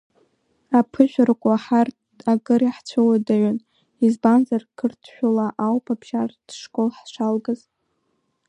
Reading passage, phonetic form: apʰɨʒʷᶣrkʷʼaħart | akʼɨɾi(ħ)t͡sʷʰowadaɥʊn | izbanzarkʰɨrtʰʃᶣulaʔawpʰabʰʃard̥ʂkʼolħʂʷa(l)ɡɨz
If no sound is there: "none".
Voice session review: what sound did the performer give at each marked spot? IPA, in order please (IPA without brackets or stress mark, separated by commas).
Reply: ħ, l